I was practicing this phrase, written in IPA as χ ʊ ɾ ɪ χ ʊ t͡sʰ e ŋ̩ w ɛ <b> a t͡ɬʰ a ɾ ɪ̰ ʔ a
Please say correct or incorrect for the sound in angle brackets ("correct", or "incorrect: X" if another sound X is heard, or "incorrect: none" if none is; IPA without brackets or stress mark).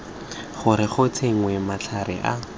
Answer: incorrect: m